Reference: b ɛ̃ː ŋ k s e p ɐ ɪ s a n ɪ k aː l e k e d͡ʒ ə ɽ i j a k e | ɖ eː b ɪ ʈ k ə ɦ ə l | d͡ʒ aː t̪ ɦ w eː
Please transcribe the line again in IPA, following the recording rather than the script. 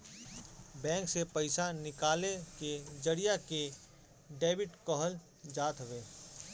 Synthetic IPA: b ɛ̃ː ŋ k s e p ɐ ɪ s a n ɪ k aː l e k e d͡ʒ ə ɽ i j a k e | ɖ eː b ɪ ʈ k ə ɦ ə l | d͡ʒ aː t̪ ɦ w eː